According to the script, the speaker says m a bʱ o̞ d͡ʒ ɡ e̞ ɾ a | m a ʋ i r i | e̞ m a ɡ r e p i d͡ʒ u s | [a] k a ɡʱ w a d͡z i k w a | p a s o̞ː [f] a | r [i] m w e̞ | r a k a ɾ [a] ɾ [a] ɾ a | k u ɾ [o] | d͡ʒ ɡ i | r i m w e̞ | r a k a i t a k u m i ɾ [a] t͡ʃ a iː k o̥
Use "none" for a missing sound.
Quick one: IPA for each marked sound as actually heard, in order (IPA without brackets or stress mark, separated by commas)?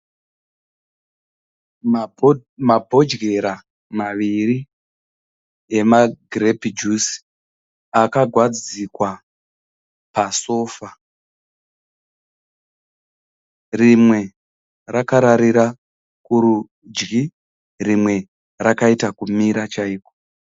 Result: a, f, i, a, i, u, a